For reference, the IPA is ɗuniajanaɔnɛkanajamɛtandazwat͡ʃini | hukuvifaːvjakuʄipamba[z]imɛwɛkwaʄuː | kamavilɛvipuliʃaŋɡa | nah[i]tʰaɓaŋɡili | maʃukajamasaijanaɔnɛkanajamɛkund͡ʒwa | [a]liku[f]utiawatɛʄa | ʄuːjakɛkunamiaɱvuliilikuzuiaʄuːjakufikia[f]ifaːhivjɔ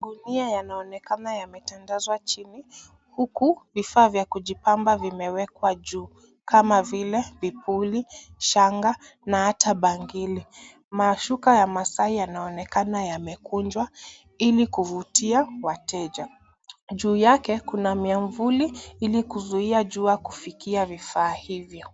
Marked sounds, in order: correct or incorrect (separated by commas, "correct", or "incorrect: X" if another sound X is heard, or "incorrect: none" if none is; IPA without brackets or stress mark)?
incorrect: v, incorrect: a, incorrect: i, incorrect: v, incorrect: v